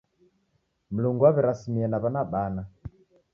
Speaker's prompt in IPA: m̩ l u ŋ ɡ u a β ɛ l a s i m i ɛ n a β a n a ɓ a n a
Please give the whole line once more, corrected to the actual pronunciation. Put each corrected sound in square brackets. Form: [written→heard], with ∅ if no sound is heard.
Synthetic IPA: m̩ l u ŋ ɡ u a β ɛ [l→ɾ] a s i m i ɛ n a β a n a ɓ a n a